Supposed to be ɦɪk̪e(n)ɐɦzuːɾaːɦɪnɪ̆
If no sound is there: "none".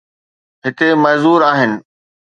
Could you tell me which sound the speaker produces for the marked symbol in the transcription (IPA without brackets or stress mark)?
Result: m